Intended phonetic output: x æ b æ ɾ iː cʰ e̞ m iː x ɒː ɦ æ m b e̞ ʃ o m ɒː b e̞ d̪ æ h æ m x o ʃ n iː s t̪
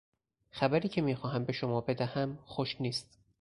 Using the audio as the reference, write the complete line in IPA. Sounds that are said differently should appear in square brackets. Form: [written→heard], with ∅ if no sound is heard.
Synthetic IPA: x æ b æ ɾ iː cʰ e̞ m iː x ɒː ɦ æ m b e̞ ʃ o m ɒː b e̞ d̪ æ h æ m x o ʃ n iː s t̪